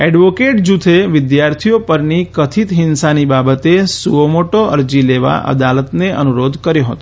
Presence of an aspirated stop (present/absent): present